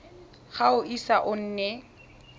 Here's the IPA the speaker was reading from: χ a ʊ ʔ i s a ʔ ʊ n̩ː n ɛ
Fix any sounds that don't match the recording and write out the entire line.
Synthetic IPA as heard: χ a ʊ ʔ i s a ʔ ʊ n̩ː n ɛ